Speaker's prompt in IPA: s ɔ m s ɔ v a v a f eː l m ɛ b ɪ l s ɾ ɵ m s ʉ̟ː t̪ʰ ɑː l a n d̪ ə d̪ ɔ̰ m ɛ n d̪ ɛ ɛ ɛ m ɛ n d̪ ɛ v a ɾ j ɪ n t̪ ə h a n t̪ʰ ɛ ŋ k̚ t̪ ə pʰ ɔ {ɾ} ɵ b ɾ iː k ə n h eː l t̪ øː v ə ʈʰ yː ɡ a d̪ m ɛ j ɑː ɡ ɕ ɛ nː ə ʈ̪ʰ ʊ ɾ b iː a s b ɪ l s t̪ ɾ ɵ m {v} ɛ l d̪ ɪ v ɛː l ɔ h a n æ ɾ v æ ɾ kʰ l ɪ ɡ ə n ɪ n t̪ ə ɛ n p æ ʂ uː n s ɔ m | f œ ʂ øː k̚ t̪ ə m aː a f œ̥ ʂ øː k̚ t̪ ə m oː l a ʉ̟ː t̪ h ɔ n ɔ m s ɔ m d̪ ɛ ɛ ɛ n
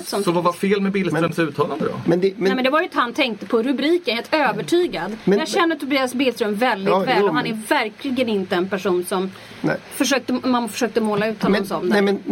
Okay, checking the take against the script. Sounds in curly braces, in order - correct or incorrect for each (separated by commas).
correct, correct